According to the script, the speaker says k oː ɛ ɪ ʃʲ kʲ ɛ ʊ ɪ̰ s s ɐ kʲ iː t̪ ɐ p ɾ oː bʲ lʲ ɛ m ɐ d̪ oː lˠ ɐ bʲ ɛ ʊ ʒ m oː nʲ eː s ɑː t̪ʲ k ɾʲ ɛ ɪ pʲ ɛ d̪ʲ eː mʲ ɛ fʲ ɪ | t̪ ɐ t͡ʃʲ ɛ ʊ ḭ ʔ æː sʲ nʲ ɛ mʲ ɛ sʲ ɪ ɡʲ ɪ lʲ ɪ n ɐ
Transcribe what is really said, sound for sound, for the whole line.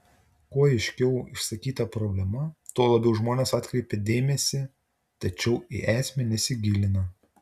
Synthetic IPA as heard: k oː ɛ ɪ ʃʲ kʲ ɛ ʊ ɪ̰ ʃ s ɐ kʲ iː t̪ ɐ p ɾ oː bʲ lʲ ɛ m ɐ t̪ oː lˠ ɐ bʲ ɛ ʊ ʒ m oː nʲ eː s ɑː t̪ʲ k ɾʲ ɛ ɪ pʲ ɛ d̪ʲ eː mʲ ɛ sʲ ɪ | t̪ ɐ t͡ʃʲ ɛ ʊ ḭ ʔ æː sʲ mʲ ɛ nʲ ɛ sʲ ɪ ɡʲ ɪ lʲ ɪ n ɐ